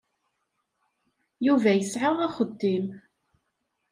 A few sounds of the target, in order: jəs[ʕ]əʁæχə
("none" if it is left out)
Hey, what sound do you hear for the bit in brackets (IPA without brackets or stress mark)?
ʕ